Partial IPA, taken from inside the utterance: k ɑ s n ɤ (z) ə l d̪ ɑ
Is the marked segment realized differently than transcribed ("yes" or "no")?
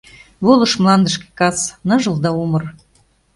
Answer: yes